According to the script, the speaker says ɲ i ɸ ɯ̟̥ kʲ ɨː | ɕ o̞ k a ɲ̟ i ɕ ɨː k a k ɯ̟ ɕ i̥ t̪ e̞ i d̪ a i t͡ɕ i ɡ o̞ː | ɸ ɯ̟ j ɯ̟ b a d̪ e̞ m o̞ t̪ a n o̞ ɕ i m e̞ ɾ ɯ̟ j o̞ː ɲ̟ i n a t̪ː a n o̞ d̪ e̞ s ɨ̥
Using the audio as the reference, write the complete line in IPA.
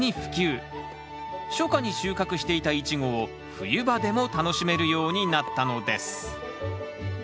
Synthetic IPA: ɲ i ɸ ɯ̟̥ kʲ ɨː | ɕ o̞ k a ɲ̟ i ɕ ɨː k a k ɯ̟ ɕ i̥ t̪ e̞ i t̪ a i t͡ɕ i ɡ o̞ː | ɸ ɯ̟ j ɯ̟ b a d̪ e̞ m o̞ t̪ a n o̞ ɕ i m e̞ ɾ ɯ̟ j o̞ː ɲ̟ i n a t̪ː a n o̞ d̪ e̞ s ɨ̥